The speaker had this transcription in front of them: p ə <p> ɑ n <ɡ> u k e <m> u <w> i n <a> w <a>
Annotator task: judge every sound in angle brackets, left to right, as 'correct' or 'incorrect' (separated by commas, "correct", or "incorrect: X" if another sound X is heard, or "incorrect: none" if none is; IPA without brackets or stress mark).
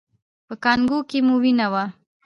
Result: incorrect: k, correct, correct, correct, correct, correct